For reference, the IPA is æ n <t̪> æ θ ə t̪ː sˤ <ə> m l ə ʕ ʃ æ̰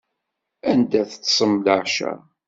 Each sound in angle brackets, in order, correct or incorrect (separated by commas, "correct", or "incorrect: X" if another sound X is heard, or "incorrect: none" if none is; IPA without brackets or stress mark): incorrect: d̪, correct